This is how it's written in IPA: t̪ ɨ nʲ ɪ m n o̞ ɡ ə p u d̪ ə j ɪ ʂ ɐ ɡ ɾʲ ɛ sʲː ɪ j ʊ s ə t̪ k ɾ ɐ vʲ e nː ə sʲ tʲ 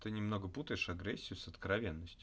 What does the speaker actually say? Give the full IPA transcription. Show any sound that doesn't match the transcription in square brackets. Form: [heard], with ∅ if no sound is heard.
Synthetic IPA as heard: t̪ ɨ nʲ ɪ m n o̞ ɡ ə p u [t̪] ə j ɪ ʂ ɐ ɡ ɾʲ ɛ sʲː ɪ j ʊ s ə t̪ k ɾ ɐ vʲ e nː ə sʲ tʲ